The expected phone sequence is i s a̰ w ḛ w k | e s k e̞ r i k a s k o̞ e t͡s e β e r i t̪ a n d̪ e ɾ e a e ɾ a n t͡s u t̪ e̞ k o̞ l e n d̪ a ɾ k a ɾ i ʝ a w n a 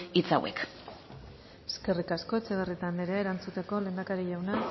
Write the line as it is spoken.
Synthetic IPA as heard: i t͡s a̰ w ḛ k | e s k e̞ r i k a s k o̞ e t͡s e β e r i t̪ a n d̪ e ɾ e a e ɾ a n t͡s u t̪ e̞ k o̞ l e n d̪ a k a ɾ i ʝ a w n a